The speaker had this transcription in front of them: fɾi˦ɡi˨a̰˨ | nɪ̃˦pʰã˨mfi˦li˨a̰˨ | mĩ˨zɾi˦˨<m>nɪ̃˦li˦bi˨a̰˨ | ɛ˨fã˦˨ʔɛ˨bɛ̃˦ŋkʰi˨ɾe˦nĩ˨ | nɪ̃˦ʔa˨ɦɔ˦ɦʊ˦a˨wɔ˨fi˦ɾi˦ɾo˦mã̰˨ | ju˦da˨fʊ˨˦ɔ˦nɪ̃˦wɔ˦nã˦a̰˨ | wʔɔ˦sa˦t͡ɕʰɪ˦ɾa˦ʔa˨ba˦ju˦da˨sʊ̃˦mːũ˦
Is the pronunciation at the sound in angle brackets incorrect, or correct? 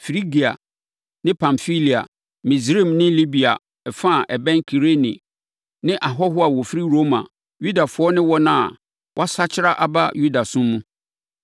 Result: correct